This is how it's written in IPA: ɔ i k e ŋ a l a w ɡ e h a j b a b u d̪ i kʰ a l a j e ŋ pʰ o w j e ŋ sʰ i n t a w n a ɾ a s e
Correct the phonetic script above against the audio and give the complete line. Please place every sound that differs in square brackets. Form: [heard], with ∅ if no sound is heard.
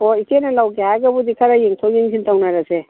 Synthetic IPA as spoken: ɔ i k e [n] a l a w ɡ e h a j [ɡ] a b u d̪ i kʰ a [ɾ] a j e ŋ [tʰ] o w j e ŋ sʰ i n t a w n a ɾ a s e